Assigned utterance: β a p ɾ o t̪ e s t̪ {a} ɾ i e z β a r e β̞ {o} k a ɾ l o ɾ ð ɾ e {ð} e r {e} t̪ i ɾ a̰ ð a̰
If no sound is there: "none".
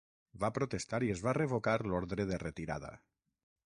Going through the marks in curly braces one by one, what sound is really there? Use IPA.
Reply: a, o, ð, e

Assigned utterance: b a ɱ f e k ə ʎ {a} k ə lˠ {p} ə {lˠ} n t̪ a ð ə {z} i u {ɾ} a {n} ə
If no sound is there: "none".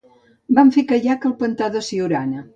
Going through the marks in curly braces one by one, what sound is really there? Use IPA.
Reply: a, p, none, s, ɾ, n

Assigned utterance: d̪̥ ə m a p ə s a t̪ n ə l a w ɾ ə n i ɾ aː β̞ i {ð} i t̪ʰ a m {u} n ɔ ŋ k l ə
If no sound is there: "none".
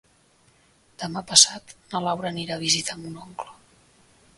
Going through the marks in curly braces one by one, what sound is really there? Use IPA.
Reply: z, u

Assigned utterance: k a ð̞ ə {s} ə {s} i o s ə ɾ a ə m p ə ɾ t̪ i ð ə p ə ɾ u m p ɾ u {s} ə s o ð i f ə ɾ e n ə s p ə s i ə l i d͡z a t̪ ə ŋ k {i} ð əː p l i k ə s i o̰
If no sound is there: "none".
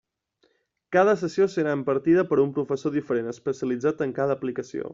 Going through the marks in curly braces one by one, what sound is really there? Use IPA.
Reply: s, s, f, a

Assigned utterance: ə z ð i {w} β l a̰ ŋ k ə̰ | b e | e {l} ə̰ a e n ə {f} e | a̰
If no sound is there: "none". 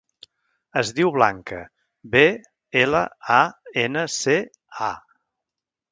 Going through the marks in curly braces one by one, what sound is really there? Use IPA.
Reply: w, l, s

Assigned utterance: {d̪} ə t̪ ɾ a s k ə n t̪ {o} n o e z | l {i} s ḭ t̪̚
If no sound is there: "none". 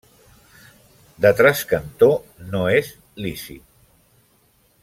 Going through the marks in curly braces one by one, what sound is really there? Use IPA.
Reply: d̪, o, i

